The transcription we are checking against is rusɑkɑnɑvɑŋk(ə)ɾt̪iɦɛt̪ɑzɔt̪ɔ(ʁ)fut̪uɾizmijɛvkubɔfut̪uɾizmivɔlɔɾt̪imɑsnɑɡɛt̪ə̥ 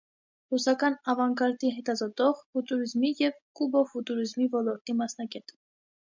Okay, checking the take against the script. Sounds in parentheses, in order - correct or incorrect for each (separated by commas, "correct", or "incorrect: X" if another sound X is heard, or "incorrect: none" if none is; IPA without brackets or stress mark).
incorrect: ɑ, correct